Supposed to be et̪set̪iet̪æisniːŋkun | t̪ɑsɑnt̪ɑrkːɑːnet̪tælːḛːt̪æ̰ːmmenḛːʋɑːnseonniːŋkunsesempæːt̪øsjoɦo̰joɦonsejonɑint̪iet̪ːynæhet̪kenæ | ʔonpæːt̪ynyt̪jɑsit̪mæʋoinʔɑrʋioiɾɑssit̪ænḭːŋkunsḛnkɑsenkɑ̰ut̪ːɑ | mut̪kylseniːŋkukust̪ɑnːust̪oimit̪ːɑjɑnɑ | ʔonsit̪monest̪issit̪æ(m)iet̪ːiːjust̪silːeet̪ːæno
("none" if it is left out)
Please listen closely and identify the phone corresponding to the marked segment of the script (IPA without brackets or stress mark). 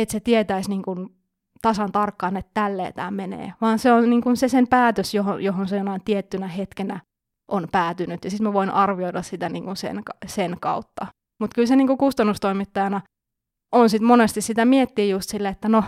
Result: m